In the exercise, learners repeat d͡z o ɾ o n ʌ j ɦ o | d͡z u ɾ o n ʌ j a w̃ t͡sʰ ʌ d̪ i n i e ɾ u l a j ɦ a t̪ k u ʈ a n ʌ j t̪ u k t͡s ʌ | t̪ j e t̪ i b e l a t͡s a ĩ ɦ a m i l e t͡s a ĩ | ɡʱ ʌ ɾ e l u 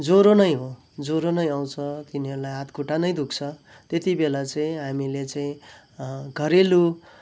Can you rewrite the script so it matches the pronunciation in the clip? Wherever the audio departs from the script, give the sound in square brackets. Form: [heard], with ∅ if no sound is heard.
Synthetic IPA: d͡z o ɾ o n ʌ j ɦ o | d͡z [o] ɾ o n ʌ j a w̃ t͡sʰ ʌ [t̪] i n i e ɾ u l a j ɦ a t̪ k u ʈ a n ʌ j [d̪] u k [t͡sʰ] ʌ | t̪ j e t̪ i b e l a t͡s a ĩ ɦ a m i l e t͡s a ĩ | ɡʱ ʌ ɾ e l u